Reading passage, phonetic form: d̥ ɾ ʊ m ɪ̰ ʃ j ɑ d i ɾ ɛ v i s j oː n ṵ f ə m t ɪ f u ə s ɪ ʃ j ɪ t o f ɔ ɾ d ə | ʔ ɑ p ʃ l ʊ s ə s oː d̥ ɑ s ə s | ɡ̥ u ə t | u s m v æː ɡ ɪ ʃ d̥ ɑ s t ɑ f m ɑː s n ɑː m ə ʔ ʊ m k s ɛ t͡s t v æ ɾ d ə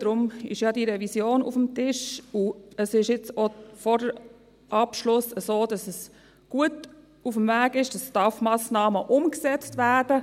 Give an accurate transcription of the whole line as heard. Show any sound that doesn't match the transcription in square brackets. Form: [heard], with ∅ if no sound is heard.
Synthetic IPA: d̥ ɾ ʊ m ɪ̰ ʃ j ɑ d i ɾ ɛ v i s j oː n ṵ f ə m t ɪ [ʃ] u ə s ɪ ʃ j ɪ [t͡s] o f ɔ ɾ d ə | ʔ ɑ p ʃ l ʊ s ə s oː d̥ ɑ s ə s | ɡ̥ u ə t | u [f] m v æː ɡ ɪ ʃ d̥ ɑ s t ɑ f m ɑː s n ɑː m ə ʔ ʊ m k s ɛ t͡s t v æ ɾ d ə